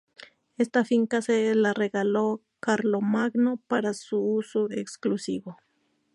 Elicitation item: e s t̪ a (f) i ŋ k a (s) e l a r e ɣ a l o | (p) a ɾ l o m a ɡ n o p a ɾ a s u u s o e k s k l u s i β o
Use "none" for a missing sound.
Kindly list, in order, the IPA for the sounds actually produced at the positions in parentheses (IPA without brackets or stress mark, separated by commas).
f, s, k